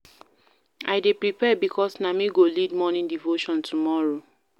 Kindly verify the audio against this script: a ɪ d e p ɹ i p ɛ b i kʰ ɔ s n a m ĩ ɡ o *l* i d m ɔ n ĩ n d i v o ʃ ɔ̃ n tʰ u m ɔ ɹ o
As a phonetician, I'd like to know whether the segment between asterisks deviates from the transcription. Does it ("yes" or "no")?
no